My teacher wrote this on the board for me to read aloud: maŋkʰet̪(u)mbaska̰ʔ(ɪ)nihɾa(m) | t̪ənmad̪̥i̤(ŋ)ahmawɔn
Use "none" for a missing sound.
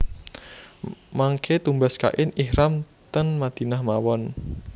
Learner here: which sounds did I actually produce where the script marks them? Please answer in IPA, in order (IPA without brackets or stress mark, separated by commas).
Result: u, ɪ, m, n